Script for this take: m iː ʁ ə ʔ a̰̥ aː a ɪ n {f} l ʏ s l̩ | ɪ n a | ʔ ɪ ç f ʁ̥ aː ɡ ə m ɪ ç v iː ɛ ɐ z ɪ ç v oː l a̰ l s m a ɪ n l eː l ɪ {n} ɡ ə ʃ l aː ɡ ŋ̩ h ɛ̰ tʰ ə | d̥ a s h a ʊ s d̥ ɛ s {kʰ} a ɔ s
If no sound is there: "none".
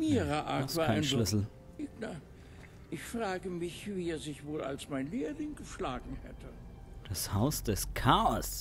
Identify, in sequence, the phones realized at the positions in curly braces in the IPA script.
ʃ, ŋ, kʰ

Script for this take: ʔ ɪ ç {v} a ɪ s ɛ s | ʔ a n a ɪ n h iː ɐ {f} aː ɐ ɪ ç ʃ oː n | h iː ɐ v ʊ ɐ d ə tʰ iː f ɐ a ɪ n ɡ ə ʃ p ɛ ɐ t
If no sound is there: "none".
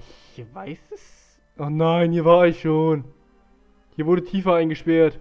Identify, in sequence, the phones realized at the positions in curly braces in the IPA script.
v, v

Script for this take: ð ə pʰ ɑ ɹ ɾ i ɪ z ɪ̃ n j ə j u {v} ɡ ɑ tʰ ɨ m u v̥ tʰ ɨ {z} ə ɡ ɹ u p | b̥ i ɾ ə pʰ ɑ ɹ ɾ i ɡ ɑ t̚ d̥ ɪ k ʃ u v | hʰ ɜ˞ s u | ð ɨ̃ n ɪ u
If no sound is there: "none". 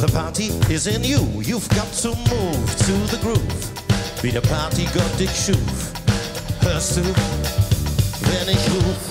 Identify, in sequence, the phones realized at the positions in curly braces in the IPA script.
v, ð

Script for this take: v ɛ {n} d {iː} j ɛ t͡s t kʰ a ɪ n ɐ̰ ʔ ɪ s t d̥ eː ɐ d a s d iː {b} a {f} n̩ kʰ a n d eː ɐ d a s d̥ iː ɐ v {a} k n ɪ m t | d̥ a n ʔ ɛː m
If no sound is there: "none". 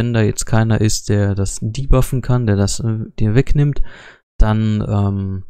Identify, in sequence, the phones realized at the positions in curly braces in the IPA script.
n, aː, b, f, ɛ

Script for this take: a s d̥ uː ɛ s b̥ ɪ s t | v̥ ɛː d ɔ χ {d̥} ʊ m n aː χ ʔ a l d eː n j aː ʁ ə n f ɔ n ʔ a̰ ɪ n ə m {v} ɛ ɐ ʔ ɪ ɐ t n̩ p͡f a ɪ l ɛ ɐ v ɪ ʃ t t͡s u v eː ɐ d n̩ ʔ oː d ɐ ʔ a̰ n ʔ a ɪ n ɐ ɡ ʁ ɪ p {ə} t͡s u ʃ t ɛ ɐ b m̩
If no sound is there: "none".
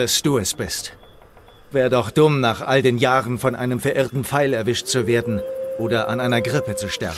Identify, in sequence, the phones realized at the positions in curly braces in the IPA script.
d̥, f, ə

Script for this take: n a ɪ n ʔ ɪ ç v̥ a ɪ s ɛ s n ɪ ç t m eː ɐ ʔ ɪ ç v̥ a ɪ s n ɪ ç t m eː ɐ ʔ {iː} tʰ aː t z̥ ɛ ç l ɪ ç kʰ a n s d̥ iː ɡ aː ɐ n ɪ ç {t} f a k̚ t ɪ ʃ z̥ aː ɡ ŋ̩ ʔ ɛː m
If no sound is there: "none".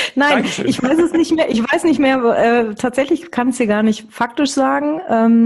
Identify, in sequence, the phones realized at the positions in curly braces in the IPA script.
ɛː, t

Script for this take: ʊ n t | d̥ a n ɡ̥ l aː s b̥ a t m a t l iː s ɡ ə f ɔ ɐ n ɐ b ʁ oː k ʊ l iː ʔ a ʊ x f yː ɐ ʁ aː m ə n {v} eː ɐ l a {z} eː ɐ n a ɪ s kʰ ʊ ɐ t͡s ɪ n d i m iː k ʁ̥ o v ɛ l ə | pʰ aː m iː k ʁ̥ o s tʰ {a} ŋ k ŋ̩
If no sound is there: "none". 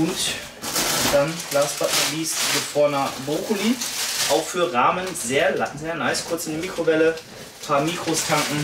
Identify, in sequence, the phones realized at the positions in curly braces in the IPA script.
z, z, a

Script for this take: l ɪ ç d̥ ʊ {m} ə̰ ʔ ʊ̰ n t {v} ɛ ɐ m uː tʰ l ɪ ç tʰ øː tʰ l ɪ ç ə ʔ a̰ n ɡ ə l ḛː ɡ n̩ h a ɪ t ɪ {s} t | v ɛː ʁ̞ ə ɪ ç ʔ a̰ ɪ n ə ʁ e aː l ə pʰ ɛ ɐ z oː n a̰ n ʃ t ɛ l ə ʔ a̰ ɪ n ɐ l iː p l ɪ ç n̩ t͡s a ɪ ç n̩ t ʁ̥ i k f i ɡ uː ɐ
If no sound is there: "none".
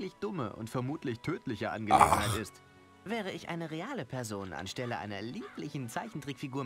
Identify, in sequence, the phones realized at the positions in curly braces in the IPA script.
m, f, s

